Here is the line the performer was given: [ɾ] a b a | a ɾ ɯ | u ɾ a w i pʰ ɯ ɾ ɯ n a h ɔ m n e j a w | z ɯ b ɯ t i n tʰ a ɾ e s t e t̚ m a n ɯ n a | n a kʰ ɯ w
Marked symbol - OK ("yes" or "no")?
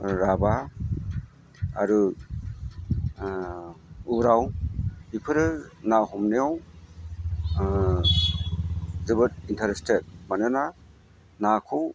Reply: yes